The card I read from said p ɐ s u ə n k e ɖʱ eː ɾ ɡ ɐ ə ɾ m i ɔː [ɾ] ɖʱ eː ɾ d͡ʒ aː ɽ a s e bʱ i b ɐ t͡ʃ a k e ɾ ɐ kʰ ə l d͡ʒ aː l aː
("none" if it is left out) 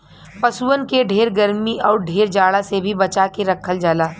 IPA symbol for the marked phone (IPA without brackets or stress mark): ɾ